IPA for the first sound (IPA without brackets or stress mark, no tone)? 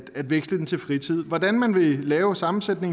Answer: æ